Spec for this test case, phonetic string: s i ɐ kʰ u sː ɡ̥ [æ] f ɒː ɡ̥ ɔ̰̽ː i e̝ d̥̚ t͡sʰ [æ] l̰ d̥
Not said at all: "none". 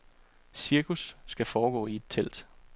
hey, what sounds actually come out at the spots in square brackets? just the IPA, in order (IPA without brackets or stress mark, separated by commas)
æ, e